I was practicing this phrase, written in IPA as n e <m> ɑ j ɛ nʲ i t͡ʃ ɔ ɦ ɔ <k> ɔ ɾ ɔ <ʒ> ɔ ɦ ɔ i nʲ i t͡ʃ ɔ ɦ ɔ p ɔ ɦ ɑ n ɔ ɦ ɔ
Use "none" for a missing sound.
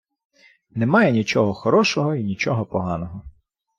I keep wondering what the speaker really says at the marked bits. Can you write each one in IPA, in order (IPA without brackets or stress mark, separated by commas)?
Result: m, x, ʃ